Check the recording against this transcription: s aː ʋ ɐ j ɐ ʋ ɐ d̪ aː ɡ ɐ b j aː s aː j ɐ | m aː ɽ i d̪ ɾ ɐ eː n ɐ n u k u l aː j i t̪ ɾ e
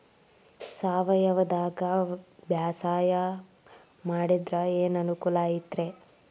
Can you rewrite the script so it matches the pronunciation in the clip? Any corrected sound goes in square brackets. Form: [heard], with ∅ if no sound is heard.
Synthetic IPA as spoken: s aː ʋ ɐ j ɐ ʋ ɐ d̪ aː ɡ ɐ b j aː s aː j ɐ | m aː ɽ i d̪ ɾ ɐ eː n ɐ n u k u l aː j i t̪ ɾ e